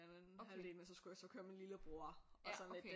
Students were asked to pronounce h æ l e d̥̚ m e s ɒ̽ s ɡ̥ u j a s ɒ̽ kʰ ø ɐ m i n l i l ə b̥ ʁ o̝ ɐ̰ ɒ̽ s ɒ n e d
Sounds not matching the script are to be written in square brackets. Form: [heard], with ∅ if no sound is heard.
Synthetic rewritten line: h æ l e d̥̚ m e s ɒ̽ s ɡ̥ u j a s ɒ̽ kʰ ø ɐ m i n l i l ə b̥ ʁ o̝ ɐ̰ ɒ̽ s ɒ n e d